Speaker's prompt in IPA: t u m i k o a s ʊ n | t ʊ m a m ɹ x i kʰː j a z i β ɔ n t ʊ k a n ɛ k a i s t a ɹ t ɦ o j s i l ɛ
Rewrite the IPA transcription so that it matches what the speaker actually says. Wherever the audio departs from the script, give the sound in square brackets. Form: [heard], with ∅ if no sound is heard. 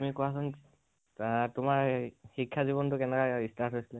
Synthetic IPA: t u m i k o a s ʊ n | t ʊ m a [∅] ɹ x i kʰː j a z i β ɔ n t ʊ k [ɛ] n ɛ k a i s t a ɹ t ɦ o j s i l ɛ